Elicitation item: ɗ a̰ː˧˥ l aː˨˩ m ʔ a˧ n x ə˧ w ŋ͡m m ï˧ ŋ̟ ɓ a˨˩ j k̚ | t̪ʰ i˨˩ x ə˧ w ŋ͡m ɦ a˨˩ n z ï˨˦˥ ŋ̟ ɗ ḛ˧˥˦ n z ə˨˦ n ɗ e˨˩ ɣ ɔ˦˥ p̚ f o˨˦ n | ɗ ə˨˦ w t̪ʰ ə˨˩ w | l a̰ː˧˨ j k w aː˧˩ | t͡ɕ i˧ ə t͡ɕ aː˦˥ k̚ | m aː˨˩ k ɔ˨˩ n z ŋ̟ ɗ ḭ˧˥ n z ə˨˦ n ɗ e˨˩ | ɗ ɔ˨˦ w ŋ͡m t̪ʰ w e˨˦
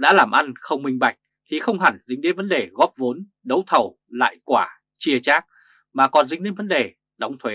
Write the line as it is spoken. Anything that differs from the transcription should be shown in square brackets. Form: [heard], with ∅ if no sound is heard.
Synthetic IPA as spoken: ɗ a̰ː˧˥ l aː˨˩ m ʔ a˧ n x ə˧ w ŋ͡m m ï˧ ŋ̟ ɓ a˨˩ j k̚ | t̪ʰ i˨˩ x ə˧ w ŋ͡m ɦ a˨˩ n z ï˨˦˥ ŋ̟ ɗ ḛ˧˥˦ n [v] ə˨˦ n ɗ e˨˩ ɣ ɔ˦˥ p̚ [v] o˨˦ n | ɗ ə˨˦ w t̪ʰ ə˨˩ w | l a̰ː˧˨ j k w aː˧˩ | t͡ɕ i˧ ə t͡ɕ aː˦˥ k̚ | m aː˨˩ k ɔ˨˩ n z ŋ̟ ɗ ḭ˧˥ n [v] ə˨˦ n ɗ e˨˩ | ɗ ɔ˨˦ w ŋ͡m t̪ʰ w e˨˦

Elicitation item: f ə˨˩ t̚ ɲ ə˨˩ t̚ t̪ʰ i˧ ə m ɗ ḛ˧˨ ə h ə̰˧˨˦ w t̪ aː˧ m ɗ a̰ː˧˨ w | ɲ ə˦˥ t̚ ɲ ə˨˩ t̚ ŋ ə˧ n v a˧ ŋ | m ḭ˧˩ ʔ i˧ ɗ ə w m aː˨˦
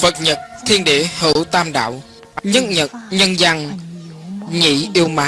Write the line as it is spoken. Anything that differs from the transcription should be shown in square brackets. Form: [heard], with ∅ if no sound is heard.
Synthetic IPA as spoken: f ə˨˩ t̚ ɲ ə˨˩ t̚ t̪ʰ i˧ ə [n] ɗ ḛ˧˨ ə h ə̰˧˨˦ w t̪ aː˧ m ɗ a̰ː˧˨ w | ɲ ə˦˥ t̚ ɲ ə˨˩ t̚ [ɲ] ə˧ n [z] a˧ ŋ | [ɲ] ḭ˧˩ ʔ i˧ [∅] ə w m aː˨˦

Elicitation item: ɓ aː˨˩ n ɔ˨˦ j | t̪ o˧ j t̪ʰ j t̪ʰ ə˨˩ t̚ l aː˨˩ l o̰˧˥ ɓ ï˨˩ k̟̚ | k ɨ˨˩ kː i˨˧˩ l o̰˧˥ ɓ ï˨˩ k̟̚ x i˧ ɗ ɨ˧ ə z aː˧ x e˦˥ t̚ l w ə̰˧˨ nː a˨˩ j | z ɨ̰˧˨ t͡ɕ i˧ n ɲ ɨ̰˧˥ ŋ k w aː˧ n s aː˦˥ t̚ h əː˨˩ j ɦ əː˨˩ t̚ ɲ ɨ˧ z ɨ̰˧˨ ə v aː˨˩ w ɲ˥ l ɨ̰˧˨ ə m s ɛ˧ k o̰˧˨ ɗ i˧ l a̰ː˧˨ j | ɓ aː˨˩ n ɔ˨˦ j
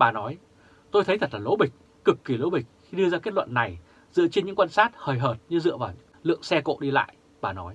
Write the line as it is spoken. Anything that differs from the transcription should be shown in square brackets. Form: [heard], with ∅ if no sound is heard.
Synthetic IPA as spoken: ɓ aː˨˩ n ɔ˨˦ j | t̪ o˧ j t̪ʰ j t̪ʰ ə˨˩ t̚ l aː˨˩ l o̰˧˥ ɓ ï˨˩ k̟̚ | k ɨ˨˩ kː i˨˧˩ l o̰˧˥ ɓ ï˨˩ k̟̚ x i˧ ɗ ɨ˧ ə z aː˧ [k] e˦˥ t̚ l w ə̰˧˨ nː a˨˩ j | z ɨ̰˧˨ t͡ɕ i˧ n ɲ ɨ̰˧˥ ŋ k w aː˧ n s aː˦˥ t̚ h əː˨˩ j ɦ əː˨˩ t̚ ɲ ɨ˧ z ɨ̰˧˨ ə v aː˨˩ w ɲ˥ l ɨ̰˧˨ ə [ŋ] s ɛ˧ k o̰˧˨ ɗ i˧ l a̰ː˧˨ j | ɓ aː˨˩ n ɔ˨˦ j

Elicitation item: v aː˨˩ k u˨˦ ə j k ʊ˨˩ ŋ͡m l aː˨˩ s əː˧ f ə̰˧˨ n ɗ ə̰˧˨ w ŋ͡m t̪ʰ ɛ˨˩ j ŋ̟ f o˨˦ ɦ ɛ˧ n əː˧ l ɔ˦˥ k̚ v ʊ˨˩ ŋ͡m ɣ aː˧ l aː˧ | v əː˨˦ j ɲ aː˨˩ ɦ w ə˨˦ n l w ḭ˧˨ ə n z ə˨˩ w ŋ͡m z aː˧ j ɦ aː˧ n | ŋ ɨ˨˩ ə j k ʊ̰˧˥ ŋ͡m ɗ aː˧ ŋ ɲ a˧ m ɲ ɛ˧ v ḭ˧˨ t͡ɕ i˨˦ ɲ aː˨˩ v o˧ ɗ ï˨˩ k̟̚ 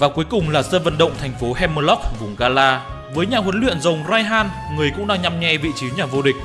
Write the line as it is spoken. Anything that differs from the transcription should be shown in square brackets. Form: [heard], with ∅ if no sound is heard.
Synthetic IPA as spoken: v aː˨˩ k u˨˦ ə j k ʊ˨˩ ŋ͡m l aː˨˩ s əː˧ [v] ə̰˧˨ n ɗ ə̰˧˨ w ŋ͡m t̪ʰ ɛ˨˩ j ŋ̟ f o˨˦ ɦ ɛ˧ [m] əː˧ l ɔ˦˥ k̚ v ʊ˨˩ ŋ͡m ɣ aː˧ l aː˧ | v əː˨˦ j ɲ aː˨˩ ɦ w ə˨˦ n l w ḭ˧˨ ə n z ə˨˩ w ŋ͡m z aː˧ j ɦ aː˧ n | ŋ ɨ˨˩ ə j k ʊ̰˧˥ ŋ͡m ɗ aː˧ ŋ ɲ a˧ m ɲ ɛ˧ v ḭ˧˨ t͡ɕ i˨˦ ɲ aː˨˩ v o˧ ɗ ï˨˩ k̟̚

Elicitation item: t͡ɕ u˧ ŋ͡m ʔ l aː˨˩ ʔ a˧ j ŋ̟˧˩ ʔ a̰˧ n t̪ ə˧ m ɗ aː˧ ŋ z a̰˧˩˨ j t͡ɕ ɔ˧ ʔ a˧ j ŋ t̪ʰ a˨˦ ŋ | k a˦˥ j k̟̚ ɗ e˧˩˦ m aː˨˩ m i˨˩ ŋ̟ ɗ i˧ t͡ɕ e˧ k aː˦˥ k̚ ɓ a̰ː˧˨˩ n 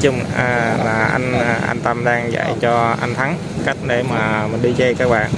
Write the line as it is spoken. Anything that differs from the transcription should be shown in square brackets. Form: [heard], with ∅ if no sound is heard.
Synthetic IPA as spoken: t͡ɕ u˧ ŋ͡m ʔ l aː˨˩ ʔ a˧ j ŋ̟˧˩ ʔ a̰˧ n t̪ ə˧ m ɗ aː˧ ŋ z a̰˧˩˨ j t͡ɕ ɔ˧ ʔ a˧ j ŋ t̪ʰ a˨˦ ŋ | k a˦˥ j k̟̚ ɗ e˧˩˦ m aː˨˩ m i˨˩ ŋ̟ ɗ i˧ t͡ɕ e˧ k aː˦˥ k̚ ɓ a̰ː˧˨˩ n

